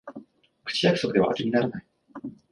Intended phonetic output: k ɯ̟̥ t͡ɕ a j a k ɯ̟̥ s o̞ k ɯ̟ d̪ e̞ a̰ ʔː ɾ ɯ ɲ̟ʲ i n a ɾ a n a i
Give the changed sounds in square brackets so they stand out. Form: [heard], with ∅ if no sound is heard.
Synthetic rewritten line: k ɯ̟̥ t͡ɕ [i] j a k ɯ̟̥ s o̞ k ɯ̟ d̪ e̞ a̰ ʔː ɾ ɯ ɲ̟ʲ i n a ɾ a n a i

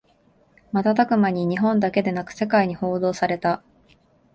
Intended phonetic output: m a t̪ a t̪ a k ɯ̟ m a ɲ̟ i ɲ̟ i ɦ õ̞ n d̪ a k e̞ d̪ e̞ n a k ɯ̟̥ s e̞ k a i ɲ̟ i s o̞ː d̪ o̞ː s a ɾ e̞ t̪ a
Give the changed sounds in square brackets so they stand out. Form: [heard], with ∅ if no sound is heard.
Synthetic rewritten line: m a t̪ a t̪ a k ɯ̟ m a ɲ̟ i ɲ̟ i ɦ õ̞ n d̪ a k e̞ d̪ e̞ n a k ɯ̟̥ s e̞ k a i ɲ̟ i [h] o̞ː d̪ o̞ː s a ɾ e̞ t̪ a

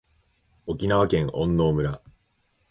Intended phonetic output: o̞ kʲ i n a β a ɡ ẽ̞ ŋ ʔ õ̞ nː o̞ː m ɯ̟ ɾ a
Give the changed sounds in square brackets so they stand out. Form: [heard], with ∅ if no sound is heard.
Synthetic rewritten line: o̞ kʲ i n a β a [k] ẽ̞ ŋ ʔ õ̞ nː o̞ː m ɯ̟ ɾ a

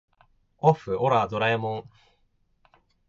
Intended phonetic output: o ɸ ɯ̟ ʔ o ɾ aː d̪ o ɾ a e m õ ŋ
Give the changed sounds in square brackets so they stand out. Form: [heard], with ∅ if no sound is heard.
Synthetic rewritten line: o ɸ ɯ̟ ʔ o ɾ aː d̪ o ɾ a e m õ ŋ

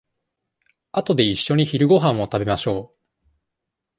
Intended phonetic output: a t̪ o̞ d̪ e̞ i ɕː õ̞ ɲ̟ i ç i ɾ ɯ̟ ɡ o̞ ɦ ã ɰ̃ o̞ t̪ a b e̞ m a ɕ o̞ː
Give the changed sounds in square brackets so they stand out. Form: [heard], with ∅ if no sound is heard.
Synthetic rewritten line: a t̪ o̞ d̪ e̞ i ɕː [o̞] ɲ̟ i ç i ɾ ɯ̟ ɡ o̞ ɦ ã ɰ̃ o̞ t̪ a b e̞ m a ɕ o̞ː

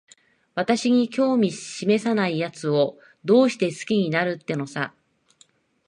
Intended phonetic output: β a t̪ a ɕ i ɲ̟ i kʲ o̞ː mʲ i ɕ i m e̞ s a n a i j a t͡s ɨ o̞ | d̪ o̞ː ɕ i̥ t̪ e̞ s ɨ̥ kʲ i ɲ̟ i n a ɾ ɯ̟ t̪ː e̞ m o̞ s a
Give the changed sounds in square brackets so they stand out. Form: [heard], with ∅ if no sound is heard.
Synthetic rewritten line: β a t̪ a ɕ i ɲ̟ i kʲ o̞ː mʲ i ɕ i m e̞ s a n a i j a t͡s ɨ o̞ | d̪ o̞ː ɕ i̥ t̪ e̞ s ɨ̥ kʲ i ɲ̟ i n a ɾ ɯ̟ t̪ː e̞ [n] o̞ s a

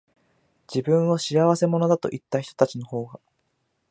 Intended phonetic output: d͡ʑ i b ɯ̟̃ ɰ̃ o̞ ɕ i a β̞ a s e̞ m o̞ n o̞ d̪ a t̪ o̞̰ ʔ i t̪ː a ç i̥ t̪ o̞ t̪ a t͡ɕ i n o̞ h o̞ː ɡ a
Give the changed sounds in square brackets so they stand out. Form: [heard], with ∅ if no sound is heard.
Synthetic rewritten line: d͡ʑ i b ɯ̟̃ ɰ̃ o̞ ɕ i a β̞ a s e̞ m o̞ n o̞ d̪ a t̪ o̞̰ ʔ i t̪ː a ç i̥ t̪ o̞ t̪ a t͡ɕ i n o̞ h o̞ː ɡ a

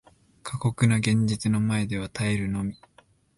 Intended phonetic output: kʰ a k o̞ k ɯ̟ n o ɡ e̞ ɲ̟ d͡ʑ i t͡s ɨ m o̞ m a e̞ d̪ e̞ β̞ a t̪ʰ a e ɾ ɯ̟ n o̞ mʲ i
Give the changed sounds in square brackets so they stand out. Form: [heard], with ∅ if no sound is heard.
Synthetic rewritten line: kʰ a k o̞ k ɯ̟ n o ɡ [ẽ̞] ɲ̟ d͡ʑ i t͡s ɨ [n] o̞ m a e̞ d̪ e̞ β̞ a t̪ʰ a e ɾ ɯ̟ n o̞ mʲ i

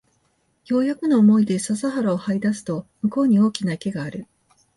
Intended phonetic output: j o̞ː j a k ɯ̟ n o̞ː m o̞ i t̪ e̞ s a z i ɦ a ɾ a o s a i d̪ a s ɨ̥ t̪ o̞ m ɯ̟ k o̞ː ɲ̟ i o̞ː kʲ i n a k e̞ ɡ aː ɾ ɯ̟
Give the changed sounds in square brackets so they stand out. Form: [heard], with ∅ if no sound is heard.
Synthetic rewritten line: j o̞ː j a k ɯ̟ n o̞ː m o̞ i [d̪] e̞ s a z [a] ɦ a ɾ a o [h] a i d̪ a s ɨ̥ t̪ o̞ m ɯ̟ k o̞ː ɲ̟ i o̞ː kʲ i n a k e̞ ɡ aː ɾ ɯ̟

